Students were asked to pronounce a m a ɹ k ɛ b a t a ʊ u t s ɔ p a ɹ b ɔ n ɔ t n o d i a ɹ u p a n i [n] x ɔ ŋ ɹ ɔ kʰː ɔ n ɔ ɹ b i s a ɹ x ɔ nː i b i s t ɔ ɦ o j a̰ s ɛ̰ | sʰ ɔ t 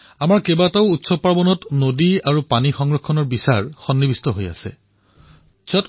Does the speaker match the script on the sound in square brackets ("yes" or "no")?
no